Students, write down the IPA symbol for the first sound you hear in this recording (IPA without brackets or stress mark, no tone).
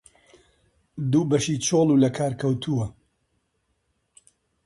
d̪